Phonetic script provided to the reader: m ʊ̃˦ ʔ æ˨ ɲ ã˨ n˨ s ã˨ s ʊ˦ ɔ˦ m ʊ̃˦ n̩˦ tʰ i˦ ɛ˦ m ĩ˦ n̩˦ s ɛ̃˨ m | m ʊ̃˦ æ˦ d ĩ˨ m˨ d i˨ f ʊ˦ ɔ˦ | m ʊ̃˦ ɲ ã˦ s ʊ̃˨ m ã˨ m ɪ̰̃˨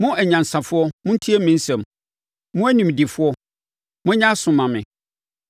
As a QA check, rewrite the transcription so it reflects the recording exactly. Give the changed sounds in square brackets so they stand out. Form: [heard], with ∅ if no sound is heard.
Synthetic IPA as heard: m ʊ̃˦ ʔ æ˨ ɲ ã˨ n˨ s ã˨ [f] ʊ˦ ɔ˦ m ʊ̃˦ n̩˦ tʰ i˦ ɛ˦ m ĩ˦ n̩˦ s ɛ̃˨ m | m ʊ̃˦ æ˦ [n] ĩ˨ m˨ d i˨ f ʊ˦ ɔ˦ | m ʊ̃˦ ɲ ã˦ s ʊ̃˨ m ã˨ m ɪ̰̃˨